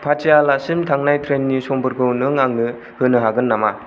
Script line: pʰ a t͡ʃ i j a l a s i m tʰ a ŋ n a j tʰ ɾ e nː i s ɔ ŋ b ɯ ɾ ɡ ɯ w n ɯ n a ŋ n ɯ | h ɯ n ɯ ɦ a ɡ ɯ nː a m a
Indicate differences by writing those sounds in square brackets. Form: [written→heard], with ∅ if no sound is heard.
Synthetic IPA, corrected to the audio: pʰ a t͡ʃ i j a l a s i m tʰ a ŋ n a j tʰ ɾ e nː i s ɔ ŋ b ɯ ɾ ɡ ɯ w n ɯ [n→ŋ] a ŋ n ɯ | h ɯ n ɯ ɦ a ɡ ɯ nː a m a